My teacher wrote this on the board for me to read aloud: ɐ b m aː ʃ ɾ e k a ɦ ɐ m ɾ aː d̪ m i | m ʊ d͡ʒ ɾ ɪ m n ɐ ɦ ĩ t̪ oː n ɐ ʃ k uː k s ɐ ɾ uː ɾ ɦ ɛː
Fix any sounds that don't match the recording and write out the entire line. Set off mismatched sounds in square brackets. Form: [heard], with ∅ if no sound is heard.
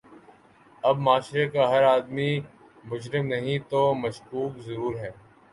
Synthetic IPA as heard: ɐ b m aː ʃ ɾ e k a ɦ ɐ [∅] ɾ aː d̪ m i | m ʊ d͡ʒ ɾ ɪ m n ɐ ɦ ĩ t̪ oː [m] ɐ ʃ k uː k [z] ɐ ɾ uː ɾ ɦ ɛː